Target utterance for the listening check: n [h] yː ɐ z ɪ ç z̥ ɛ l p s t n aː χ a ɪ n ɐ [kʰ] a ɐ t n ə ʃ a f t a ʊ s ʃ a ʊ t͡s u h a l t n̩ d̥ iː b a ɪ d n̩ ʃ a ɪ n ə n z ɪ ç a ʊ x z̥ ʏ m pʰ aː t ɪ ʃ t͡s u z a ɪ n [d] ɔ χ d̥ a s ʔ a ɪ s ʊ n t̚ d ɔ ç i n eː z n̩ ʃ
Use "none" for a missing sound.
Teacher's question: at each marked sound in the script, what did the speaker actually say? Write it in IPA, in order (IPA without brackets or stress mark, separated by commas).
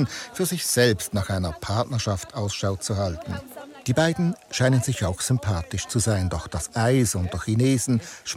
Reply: f, pʰ, d